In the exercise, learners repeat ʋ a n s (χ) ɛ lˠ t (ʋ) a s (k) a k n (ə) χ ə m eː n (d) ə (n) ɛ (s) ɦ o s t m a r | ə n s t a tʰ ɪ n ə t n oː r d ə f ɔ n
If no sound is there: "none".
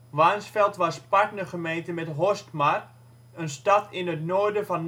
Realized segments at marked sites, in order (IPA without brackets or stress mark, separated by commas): f, ʋ, p, ə, t, m, t